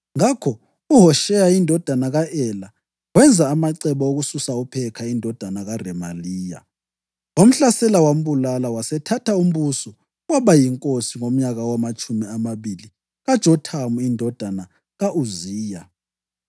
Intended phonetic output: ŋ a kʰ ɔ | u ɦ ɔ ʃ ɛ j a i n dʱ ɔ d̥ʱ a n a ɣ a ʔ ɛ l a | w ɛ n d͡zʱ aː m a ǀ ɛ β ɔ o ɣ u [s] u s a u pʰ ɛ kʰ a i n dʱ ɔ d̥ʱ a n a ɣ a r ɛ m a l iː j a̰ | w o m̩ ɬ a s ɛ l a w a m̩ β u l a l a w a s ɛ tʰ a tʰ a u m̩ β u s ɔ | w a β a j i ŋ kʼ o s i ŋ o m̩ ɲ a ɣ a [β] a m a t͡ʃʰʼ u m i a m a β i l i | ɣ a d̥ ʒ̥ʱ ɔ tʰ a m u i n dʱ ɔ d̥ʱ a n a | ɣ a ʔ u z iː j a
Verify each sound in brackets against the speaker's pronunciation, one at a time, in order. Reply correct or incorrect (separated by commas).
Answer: correct, incorrect